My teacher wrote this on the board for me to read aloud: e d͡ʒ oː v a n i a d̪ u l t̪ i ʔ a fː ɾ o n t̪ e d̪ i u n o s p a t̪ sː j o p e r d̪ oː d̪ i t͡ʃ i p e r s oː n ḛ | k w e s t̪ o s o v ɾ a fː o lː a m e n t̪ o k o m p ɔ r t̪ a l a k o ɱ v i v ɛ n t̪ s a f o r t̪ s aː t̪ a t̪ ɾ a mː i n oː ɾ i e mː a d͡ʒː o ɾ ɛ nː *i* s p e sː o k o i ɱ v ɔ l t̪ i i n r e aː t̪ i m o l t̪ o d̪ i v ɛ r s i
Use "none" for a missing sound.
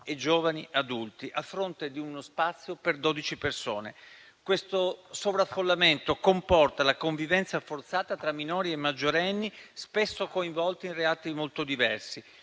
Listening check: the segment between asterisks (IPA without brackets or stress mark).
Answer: i